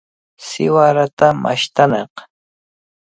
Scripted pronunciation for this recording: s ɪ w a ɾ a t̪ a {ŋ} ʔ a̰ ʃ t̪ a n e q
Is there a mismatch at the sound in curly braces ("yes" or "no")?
yes